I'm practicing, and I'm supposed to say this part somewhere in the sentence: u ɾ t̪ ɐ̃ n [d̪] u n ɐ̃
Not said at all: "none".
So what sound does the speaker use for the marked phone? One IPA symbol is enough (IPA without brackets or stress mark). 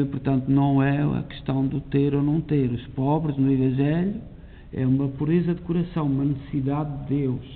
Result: t̪